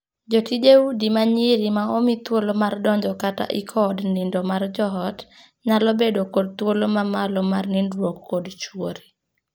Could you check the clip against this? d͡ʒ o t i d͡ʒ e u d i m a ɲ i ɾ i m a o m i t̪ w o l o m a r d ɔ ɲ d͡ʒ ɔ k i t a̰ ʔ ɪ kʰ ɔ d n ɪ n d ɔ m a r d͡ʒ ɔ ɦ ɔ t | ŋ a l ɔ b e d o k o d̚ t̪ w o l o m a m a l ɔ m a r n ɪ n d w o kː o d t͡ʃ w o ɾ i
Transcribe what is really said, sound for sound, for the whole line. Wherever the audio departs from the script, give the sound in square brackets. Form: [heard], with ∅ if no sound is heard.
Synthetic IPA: d͡ʒ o t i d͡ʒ e u d i m a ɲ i ɾ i m a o m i t̪ w o l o m a r d ɔ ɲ d͡ʒ ɔ k [a] t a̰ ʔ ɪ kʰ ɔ d n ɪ n d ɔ m a r d͡ʒ ɔ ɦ ɔ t | [ɲ] a l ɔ b e d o k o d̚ t̪ w o l o m a m a l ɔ m a r n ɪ n d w o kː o d t͡ʃ w o ɾ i